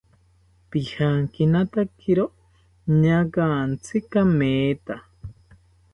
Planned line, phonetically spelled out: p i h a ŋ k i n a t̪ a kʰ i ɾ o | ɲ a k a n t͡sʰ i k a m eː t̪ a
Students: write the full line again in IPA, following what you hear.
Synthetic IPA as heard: p i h a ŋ k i n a t̪ a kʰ i ɾ o | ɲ a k a n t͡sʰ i k a m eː t̪ a